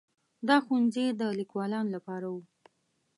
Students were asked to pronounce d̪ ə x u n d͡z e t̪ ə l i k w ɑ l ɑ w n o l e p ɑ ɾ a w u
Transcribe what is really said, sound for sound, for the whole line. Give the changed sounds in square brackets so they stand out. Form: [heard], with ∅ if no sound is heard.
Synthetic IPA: d̪ [ɑ] x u n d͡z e [d̪] ə l i k w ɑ l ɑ [∅] n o l [a] p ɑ ɾ a w u

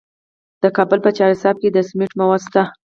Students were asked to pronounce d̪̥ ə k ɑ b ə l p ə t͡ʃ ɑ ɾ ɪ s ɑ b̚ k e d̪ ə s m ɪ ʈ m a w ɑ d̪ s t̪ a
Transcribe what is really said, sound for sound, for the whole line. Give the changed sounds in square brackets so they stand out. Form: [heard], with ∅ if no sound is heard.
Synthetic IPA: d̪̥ ə k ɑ b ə l p ə t͡ʃ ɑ ɾ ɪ s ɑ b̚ k e d̪ ə s m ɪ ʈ m a w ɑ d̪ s t̪ a

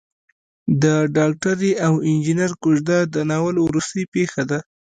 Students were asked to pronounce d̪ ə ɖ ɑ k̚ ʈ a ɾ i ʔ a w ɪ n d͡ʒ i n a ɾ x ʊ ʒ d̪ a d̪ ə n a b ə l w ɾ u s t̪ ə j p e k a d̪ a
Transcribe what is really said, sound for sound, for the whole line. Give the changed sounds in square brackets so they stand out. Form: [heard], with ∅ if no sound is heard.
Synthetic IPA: d̪ ə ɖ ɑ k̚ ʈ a ɾ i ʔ a w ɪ n d͡ʒ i n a ɾ [k] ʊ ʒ d̪ a d̪ ə n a [w] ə l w ɾ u s t̪ ə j p e [x] a d̪ a

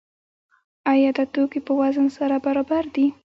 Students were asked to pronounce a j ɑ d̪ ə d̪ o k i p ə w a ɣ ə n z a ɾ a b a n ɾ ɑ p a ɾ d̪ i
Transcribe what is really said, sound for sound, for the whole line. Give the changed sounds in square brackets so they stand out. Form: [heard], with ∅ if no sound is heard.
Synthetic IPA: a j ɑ d̪ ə [t̪] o k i p ə w a [z] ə n [s] a ɾ a b a [∅] ɾ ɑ [b] a ɾ d̪ i

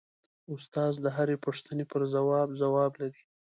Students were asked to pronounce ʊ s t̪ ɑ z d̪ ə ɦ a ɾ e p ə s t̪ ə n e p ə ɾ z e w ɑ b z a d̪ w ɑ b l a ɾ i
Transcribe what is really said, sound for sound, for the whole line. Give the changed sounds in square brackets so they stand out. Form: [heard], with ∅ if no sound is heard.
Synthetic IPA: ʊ s t̪ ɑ z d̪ ə ɦ a ɾ e p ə [ʂ] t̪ ə n e p ə ɾ z [a] w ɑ b z a [∅] w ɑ b l a ɾ i

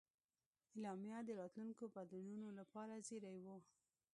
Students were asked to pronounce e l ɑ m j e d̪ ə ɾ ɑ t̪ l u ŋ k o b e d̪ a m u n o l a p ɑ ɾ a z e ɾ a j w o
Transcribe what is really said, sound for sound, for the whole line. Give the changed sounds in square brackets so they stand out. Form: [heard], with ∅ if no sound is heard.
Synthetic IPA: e l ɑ m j [a] d̪ ə ɾ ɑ t̪ l u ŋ k o b [a] d̪ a [n] u n o l a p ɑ ɾ a z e ɾ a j w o

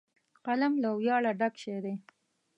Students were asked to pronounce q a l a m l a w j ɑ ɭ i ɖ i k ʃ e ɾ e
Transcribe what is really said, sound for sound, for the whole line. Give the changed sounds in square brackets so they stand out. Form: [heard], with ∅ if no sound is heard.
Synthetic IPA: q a l a m l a w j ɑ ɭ [a] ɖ [a] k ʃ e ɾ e

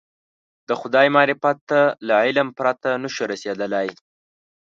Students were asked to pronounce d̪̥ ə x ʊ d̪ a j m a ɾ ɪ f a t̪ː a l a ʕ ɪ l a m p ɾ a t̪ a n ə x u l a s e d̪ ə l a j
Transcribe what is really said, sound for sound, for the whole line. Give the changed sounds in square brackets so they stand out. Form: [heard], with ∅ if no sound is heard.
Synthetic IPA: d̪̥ ə x ʊ d̪ [ɑ] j m [ɑ] ɾ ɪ f a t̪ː a l a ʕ ɪ l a m p ɾ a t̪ a n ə [ʃ] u [ɾ] a s e d̪ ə l a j

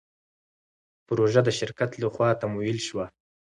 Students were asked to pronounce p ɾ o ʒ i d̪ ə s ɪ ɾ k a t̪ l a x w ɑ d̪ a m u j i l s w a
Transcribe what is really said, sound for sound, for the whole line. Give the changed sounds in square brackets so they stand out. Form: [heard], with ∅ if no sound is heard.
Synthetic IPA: p ɾ o ʒ [a] d̪ ə [ʃ] ɪ ɾ k a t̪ l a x w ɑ [t̪] a m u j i l [ʃ] w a

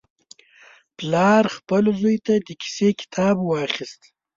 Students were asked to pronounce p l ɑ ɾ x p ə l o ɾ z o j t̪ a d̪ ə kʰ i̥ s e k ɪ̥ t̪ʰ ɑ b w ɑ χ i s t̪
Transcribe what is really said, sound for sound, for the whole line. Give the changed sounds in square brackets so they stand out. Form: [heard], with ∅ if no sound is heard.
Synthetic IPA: p l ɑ ɾ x p ə l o [∅] z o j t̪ a d̪ ə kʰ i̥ s e k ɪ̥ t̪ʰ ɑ b w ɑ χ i s t̪

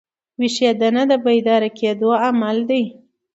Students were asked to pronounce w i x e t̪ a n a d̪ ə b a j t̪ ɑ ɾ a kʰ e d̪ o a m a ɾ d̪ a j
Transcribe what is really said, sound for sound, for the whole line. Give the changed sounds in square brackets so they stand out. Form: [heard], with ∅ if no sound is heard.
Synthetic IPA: w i [ʃ] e [d̪] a n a d̪ ə b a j [d̪] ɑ ɾ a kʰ e d̪ o a m a [l] d̪ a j

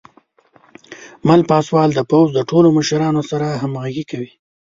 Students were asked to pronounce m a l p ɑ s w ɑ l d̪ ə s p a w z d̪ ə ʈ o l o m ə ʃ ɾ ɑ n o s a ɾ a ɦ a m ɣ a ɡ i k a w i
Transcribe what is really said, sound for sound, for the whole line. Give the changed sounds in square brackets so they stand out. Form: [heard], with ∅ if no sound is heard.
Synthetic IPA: m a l p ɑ s w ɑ l d̪ ə [∅] p a w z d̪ ə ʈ o l o m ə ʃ ɾ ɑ n o s a ɾ a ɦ a m ɣ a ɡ i k a w i

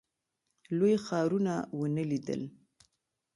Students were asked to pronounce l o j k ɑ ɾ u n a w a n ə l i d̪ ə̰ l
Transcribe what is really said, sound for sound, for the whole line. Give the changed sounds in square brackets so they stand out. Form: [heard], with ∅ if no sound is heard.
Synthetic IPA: l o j [x] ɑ ɾ u n a w [ə] n ə l i d̪ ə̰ l

